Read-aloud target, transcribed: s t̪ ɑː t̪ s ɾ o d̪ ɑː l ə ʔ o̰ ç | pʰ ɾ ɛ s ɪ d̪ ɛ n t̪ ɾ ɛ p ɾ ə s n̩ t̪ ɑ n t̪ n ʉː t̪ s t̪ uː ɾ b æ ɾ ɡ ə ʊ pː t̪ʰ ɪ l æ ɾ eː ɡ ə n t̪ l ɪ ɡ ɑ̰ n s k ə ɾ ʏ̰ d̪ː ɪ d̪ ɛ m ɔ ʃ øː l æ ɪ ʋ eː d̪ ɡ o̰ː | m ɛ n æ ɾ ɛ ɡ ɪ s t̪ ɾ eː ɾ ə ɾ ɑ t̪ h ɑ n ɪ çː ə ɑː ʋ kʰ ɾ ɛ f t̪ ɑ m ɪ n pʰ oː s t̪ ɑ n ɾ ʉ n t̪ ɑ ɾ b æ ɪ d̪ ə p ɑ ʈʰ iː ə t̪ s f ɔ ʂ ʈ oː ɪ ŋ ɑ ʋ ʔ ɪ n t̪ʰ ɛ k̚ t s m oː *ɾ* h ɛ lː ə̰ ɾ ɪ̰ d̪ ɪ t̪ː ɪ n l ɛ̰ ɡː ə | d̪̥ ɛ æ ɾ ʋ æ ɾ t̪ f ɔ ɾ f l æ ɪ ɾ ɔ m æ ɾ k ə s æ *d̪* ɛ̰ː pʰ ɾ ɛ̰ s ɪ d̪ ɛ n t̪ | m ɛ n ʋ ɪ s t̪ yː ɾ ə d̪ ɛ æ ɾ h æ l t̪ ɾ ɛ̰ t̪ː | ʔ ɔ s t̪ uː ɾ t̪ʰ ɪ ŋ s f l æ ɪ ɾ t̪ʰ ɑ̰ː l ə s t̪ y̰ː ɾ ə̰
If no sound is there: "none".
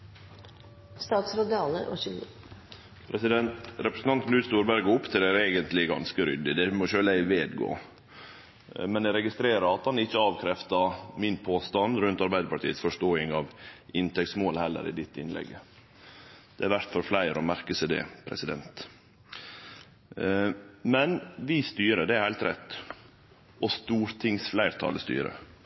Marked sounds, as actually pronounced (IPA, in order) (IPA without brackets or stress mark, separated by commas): l, d̪